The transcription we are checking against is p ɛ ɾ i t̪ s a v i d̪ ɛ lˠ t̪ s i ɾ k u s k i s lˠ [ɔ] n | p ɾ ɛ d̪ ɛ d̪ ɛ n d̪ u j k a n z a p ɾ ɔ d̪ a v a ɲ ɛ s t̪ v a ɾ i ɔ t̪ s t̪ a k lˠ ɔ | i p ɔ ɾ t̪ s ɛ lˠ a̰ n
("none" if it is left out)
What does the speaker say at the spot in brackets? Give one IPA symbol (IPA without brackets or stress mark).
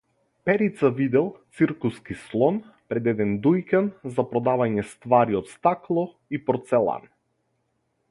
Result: ɔ